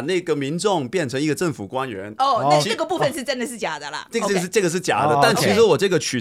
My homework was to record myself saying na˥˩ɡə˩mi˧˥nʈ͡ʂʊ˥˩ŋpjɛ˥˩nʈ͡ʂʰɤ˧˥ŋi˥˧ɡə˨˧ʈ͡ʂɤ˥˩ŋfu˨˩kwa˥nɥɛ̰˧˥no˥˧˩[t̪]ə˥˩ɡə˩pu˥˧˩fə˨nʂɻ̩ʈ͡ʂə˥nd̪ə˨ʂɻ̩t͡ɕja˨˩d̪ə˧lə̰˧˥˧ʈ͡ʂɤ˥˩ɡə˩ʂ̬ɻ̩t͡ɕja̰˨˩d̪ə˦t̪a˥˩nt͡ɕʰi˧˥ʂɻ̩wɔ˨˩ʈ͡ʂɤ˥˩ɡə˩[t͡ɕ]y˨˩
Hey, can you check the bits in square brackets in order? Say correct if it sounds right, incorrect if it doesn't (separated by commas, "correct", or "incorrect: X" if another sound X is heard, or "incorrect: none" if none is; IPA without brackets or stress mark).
incorrect: none, incorrect: t͡ɕʰ